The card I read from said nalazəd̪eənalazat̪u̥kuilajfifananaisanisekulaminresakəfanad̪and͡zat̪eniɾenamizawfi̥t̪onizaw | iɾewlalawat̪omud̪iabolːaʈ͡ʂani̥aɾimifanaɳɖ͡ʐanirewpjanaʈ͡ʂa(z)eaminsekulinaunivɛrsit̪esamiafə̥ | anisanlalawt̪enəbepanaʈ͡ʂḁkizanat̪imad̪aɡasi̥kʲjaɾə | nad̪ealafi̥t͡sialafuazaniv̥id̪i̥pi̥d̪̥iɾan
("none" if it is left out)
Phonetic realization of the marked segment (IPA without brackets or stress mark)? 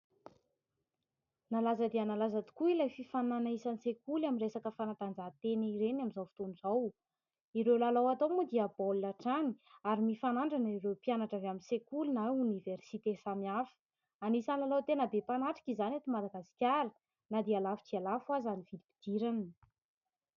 v